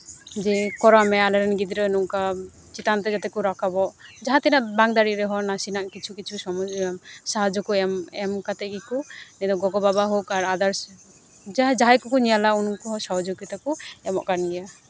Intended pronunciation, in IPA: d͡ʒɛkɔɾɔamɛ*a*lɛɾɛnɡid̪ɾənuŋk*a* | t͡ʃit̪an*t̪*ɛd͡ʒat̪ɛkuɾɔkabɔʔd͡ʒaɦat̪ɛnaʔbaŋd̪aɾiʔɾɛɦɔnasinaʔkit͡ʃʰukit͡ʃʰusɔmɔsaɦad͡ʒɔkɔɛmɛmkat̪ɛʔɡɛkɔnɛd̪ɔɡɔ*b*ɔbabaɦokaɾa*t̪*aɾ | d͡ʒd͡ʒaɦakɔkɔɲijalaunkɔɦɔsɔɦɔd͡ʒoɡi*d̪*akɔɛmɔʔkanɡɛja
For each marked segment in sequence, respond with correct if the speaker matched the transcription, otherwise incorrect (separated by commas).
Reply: correct, correct, correct, incorrect, incorrect, incorrect